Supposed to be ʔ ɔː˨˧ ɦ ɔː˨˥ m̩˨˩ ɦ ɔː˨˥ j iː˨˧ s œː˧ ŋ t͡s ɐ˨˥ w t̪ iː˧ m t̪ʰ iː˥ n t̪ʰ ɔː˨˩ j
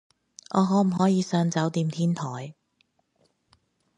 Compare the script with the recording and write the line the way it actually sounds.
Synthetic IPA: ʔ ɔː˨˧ ɦ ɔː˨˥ m̩˨˩ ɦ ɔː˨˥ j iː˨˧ s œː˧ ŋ t͡s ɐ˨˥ w t̪ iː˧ m t̪ʰ iː˥ n t̪ʰ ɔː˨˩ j